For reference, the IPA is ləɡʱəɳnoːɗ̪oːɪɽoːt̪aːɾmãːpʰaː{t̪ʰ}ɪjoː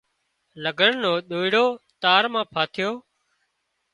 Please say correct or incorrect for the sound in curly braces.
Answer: correct